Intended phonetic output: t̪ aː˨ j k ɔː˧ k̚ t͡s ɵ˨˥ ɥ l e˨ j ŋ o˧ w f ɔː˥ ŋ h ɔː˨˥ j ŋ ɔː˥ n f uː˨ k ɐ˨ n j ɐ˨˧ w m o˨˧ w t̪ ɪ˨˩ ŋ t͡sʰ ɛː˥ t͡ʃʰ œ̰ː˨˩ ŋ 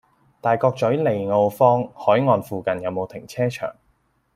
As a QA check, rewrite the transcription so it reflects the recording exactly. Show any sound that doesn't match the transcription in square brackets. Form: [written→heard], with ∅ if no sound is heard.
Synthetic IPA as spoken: t̪ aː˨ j k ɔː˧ k̚ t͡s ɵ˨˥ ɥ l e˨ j ŋ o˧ w f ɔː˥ ŋ h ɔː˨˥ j ŋ [ɔː˥→ɔː˨˧] n f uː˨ k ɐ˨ n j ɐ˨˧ w m o˨˧ w [t̪→t̪ʰ] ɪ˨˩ ŋ t͡sʰ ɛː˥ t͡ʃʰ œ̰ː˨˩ ŋ